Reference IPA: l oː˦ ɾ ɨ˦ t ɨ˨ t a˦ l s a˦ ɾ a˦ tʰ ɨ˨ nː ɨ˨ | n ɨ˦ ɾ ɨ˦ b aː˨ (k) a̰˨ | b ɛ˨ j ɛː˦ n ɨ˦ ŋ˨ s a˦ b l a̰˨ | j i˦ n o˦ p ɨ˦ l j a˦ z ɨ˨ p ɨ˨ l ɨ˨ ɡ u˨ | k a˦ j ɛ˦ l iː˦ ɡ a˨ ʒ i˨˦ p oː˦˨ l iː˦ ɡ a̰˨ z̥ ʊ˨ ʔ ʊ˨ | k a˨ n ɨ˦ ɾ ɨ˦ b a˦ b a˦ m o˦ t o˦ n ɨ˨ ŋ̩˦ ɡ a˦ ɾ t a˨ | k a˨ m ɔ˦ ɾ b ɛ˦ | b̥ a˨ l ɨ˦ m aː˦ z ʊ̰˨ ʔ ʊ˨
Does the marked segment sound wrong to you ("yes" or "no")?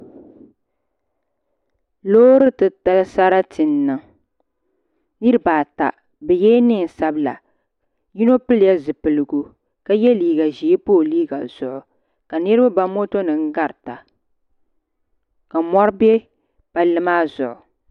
yes